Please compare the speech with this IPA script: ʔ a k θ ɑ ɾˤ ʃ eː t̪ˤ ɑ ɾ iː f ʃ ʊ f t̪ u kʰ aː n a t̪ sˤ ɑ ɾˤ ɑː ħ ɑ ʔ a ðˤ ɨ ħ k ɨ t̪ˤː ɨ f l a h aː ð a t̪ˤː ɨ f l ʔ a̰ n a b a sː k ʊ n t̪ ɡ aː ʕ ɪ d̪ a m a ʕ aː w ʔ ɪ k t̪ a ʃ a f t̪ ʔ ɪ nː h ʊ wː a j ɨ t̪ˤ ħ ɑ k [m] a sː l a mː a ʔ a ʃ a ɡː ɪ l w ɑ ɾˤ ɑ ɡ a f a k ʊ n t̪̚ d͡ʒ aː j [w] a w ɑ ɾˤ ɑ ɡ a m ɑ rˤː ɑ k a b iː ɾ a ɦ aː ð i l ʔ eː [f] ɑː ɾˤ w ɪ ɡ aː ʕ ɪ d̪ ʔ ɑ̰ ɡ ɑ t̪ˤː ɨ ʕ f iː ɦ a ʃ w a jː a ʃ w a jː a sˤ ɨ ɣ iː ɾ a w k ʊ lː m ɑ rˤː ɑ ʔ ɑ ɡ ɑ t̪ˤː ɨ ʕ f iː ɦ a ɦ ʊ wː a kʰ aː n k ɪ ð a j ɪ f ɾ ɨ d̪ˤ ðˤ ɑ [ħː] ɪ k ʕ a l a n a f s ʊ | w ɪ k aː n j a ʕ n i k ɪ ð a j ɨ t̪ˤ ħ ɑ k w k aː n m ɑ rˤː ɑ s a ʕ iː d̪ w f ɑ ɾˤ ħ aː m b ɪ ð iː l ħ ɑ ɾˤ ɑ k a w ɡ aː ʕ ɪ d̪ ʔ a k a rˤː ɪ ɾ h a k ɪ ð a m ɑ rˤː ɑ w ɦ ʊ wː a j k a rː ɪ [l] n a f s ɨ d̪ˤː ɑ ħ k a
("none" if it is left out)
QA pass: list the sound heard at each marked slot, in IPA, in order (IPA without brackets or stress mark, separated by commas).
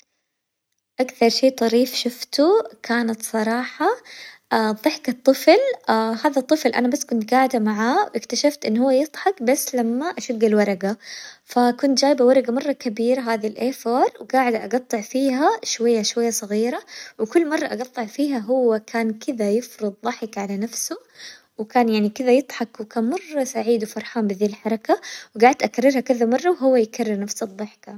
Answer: b, b, f, ħ, ɾ